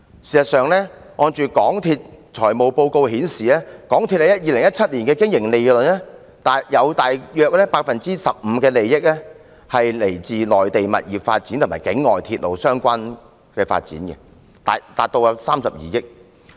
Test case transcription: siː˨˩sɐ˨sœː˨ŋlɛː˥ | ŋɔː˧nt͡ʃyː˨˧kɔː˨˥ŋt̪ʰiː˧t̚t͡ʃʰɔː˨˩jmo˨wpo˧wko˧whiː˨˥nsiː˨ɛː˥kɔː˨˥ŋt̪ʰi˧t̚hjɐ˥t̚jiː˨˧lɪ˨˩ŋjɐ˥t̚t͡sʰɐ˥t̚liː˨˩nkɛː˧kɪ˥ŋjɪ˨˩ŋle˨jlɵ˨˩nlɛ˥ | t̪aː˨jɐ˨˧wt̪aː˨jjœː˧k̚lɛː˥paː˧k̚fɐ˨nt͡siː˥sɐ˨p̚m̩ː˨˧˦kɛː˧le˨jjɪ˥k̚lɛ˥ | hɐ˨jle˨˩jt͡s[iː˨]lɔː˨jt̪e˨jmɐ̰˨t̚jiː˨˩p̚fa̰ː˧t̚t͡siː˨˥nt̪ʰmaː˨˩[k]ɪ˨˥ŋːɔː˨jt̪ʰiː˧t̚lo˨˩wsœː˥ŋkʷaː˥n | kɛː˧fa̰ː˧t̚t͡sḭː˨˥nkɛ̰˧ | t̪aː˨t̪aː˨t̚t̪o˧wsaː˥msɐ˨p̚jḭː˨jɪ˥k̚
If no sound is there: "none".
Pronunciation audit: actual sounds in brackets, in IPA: iː˨, k

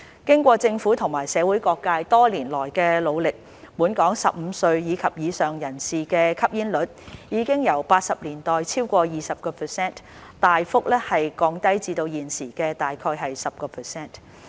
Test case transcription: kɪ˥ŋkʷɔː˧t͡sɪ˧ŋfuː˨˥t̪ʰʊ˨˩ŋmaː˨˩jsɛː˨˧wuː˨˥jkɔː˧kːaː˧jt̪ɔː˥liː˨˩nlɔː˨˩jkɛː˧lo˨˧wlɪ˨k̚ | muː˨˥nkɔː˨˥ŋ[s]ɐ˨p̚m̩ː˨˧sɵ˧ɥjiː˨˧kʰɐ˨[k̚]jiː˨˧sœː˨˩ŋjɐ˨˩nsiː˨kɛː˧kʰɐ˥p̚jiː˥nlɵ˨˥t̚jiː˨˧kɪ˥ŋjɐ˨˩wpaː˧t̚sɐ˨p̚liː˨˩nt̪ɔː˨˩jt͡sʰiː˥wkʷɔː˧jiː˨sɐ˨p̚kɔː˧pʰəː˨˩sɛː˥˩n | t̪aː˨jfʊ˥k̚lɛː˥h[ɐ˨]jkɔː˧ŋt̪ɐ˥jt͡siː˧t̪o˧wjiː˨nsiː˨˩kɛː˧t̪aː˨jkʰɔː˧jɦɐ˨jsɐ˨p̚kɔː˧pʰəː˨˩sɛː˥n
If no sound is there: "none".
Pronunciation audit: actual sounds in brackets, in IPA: s, p̚, ɐ˨

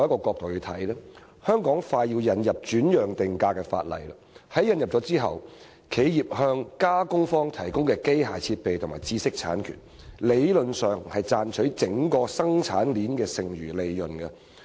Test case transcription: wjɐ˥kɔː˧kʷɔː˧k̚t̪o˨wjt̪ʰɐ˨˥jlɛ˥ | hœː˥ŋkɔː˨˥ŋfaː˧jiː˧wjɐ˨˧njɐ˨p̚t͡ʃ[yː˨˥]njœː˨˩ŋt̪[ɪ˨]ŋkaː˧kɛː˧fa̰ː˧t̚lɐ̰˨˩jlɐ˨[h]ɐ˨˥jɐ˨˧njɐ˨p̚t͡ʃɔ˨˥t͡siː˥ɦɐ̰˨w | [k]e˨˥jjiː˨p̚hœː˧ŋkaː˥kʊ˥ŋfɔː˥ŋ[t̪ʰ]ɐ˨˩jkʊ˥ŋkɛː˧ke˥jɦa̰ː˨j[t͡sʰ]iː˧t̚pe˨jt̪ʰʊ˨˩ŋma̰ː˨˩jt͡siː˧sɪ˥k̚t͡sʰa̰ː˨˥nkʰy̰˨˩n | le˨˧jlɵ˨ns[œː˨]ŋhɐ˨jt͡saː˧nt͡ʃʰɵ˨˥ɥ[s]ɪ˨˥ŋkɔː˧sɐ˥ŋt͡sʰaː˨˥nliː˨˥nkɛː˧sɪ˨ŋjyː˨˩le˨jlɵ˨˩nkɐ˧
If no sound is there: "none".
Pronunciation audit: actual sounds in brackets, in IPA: yː˨˥, ɪ˨, h, kʰ, t̪ʰ, t͡sʰ, œː˨, t͡s

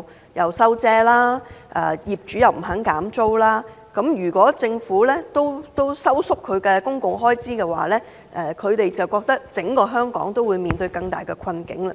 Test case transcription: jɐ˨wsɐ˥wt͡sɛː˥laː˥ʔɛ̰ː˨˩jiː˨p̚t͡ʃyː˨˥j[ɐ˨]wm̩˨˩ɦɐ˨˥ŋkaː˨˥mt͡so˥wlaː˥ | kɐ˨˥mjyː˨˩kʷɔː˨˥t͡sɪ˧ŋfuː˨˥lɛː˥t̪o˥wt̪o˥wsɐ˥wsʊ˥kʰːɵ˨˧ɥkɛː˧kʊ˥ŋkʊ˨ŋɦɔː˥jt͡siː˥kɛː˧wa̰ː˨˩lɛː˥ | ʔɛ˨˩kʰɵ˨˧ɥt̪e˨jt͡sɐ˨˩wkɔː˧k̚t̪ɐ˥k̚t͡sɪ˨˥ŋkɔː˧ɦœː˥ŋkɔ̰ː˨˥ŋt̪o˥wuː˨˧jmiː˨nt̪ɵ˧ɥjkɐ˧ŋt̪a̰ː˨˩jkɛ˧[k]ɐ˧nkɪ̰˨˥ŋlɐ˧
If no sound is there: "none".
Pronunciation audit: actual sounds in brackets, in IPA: ɐ˨, kʰ

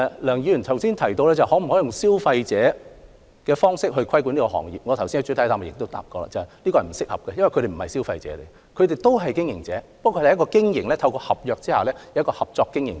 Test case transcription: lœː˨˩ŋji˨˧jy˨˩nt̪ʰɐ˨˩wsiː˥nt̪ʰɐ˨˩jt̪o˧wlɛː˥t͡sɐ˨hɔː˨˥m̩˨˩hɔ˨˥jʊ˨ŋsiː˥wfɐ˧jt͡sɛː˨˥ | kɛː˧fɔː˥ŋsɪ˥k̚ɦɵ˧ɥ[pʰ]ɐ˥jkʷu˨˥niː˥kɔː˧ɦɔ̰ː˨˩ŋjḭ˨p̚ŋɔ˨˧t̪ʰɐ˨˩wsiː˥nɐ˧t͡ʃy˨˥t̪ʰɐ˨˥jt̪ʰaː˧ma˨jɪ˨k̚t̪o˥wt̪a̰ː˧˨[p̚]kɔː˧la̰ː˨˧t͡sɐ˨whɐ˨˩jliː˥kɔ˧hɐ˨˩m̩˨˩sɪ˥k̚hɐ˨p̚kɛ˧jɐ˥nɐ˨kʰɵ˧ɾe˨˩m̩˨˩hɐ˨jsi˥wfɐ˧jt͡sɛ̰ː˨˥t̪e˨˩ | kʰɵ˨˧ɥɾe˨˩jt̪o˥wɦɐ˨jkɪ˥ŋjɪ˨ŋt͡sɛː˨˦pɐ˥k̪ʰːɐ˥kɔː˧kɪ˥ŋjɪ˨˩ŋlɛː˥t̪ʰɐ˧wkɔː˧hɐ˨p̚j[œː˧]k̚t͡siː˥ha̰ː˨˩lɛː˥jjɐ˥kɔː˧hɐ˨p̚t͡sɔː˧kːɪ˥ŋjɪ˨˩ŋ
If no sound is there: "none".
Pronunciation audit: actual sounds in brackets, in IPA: kʰ, p̚, œː˧

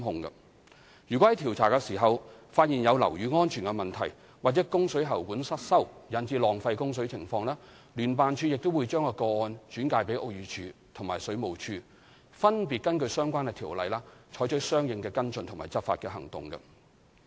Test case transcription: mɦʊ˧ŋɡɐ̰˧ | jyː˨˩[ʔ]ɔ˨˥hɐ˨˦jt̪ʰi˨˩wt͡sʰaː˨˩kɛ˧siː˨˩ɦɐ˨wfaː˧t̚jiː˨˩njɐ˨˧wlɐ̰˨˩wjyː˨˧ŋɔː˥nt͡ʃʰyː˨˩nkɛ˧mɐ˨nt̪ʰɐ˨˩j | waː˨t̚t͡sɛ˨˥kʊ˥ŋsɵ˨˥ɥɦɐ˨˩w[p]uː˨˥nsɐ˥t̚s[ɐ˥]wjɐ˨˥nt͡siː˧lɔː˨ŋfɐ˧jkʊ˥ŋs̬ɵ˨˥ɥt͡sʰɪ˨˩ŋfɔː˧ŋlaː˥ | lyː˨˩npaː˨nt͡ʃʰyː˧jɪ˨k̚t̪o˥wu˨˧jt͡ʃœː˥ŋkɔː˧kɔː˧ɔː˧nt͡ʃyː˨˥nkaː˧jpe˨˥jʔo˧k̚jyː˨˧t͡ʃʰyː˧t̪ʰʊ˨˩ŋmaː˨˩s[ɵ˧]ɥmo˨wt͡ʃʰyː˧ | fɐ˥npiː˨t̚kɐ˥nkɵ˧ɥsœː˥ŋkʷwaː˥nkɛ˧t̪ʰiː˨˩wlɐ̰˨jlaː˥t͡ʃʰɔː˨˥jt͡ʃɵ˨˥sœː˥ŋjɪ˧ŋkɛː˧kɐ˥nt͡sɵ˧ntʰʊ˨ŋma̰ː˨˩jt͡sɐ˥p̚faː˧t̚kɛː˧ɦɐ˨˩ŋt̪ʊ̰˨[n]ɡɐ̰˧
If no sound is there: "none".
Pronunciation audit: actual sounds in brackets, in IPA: k, k, ɐ˥, ɵ˨˥, ŋ

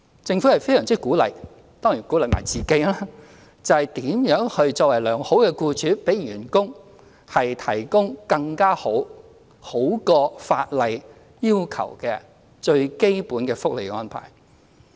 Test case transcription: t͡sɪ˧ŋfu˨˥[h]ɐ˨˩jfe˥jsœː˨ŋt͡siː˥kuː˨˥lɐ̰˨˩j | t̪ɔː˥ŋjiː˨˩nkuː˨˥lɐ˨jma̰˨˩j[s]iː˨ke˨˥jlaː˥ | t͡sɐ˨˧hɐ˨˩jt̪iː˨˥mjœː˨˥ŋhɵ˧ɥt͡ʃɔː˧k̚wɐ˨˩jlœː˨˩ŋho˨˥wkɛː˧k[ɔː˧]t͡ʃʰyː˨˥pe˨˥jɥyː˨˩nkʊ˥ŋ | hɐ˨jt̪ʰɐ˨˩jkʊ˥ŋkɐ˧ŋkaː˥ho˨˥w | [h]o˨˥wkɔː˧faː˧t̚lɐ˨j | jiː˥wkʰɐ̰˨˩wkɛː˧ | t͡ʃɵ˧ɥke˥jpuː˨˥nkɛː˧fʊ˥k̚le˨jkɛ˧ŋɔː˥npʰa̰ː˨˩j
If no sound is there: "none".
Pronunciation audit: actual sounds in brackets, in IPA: h, t͡s, uː˧, h

